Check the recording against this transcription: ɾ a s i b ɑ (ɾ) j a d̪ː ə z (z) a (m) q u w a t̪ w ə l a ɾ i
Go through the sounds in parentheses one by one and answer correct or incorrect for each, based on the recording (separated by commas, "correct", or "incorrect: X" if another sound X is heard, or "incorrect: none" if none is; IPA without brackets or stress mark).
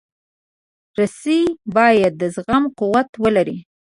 incorrect: none, incorrect: ɣ, correct